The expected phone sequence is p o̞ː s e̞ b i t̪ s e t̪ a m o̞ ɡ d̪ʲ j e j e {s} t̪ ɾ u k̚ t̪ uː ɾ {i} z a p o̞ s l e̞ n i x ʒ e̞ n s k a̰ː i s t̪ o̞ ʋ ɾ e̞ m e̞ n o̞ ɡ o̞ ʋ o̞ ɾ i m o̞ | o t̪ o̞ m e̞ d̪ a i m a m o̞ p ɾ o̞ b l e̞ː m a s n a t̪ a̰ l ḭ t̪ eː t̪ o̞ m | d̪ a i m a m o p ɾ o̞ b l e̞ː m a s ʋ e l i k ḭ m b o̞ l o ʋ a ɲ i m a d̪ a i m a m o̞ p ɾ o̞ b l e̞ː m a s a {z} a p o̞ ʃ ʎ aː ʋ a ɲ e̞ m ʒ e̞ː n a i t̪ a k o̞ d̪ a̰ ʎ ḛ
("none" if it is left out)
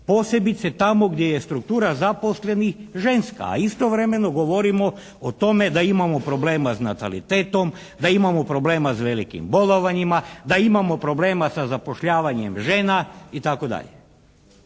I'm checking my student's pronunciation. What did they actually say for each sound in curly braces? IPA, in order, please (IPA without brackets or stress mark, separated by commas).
s, a, z